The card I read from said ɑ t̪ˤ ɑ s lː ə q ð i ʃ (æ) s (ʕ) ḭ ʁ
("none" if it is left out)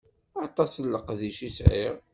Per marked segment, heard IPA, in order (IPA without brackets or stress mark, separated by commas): i, ʕ